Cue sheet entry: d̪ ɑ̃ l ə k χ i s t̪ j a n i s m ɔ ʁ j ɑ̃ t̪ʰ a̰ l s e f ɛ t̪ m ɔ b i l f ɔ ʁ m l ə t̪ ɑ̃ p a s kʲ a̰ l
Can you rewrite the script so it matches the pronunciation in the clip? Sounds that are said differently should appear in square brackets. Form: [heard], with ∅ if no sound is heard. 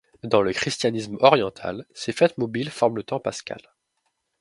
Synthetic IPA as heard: d̪ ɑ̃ l ə k χ i s t̪ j a n i s m ɔ ʁ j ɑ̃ t̪ʰ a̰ l s e f ɛ t̪ m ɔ b i l f ɔ ʁ m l ə t̪ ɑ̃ p a s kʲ a̰ l